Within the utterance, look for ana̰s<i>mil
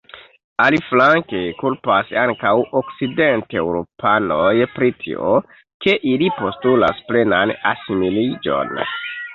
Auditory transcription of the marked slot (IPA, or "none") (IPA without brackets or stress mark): i